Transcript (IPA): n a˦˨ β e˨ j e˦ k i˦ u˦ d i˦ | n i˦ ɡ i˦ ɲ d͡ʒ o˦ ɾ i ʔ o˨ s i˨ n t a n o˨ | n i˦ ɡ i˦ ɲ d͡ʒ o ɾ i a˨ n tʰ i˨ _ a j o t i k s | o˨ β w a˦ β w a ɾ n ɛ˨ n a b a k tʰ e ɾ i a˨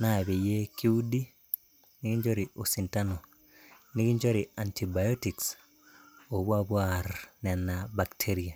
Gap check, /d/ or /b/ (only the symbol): b